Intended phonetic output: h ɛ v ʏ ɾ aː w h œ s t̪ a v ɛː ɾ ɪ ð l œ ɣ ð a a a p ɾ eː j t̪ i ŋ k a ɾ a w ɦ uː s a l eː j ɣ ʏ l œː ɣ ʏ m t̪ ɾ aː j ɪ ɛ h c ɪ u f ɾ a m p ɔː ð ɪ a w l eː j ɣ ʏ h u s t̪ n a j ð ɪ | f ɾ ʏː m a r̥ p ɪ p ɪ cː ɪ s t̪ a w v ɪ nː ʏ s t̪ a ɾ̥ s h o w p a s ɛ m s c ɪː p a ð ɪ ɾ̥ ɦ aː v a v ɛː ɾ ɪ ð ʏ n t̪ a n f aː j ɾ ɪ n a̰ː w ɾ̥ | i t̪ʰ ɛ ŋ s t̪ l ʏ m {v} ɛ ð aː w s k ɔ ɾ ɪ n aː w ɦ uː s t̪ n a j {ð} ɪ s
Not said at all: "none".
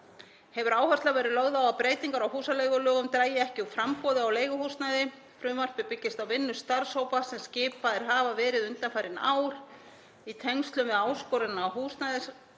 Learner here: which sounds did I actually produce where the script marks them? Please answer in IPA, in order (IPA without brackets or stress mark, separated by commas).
v, ð